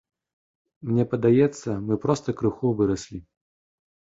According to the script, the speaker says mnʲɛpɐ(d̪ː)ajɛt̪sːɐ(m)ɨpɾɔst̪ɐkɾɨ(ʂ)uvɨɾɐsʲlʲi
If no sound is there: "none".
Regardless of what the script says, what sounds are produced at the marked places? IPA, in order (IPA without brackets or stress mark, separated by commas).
d̪, m, x